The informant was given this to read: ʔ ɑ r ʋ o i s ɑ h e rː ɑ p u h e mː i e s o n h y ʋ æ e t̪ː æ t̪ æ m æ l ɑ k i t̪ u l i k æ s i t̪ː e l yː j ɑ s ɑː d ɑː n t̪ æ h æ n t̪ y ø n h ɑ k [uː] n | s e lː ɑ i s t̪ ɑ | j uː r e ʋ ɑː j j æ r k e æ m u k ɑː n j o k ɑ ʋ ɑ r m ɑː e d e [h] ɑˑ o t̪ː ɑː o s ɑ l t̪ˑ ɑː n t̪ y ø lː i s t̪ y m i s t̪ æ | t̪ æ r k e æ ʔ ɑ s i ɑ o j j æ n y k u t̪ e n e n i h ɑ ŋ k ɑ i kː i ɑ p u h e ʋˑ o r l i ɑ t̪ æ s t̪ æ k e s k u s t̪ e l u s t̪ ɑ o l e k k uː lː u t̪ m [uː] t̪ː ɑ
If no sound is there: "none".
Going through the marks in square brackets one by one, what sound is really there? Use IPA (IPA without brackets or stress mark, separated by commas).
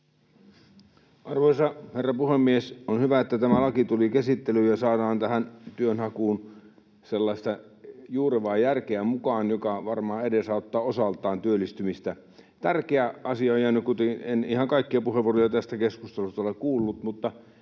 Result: uː, s, u